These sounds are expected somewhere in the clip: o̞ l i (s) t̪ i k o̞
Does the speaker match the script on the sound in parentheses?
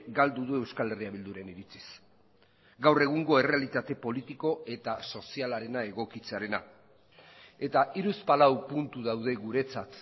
no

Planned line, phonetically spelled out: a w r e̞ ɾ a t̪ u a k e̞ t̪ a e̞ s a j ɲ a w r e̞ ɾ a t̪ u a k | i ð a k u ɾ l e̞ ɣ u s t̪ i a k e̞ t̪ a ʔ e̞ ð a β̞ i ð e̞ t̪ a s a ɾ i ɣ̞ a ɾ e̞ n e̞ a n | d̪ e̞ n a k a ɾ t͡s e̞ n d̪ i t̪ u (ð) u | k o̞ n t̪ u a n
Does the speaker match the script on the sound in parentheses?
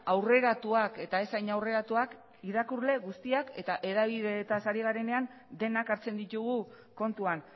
no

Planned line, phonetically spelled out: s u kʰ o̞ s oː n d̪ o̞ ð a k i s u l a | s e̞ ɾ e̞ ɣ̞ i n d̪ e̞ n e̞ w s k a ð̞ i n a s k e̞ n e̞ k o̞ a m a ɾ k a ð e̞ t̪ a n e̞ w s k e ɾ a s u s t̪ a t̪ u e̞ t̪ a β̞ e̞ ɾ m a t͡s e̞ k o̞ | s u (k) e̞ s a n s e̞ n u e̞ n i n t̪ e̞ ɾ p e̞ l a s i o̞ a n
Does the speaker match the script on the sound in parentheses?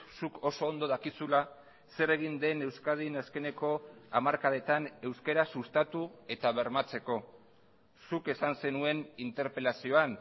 yes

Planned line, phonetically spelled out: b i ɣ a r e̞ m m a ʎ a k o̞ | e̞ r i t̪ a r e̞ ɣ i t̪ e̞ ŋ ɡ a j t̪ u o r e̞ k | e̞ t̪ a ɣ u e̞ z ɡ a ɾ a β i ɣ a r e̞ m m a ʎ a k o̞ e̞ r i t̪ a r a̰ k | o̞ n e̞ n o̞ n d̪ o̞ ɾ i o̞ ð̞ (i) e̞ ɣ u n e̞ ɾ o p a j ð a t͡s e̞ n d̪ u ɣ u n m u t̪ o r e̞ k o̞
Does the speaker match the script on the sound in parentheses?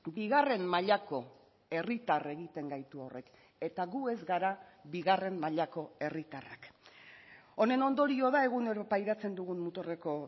no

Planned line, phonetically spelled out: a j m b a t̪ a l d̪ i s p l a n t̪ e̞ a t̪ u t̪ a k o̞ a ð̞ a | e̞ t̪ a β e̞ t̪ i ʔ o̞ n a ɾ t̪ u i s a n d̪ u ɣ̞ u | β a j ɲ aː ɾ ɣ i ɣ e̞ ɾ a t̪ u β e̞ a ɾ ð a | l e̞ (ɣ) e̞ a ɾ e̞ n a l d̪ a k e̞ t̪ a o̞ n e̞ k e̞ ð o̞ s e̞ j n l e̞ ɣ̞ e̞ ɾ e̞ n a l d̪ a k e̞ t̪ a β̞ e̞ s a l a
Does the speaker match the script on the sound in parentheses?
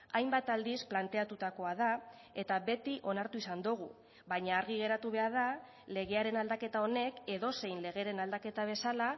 yes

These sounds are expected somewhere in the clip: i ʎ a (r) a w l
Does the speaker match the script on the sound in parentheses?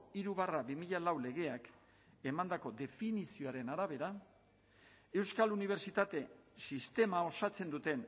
no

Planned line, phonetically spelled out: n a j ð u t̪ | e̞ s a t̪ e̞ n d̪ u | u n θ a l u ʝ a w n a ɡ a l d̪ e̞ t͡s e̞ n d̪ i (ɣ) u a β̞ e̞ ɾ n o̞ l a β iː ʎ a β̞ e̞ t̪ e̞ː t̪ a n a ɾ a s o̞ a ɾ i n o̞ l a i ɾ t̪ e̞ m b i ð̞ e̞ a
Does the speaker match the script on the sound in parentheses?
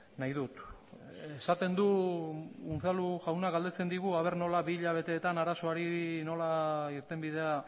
yes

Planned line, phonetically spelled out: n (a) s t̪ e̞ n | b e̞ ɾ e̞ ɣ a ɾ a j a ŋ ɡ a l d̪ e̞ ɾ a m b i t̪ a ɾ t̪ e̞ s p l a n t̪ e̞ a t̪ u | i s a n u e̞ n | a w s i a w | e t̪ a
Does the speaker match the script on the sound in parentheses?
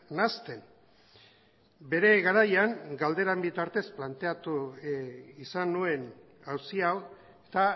yes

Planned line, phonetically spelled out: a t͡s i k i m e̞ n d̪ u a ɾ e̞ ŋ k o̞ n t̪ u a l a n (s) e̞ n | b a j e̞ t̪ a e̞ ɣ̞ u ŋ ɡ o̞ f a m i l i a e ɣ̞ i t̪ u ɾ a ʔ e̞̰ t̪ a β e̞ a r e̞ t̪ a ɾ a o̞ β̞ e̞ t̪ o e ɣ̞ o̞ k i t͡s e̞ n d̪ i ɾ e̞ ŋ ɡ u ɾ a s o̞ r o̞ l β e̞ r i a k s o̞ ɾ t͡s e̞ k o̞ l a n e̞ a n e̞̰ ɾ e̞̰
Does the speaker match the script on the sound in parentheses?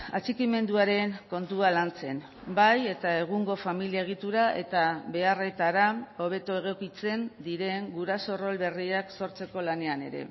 no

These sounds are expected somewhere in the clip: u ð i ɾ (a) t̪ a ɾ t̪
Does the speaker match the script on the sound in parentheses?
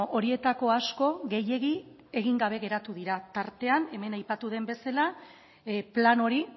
yes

